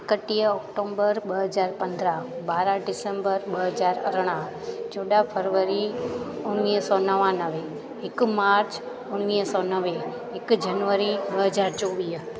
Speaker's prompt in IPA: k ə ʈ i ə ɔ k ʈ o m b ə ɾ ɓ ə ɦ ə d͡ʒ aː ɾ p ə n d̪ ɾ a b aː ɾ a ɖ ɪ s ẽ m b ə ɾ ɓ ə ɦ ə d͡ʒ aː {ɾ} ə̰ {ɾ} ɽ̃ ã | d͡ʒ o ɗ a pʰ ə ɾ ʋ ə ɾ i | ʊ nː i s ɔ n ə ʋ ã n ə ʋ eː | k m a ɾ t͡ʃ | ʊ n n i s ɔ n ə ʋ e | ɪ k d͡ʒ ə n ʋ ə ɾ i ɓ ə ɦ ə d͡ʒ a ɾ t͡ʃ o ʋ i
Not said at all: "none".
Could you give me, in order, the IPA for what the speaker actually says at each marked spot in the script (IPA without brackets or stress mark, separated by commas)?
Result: ɾ, ɾ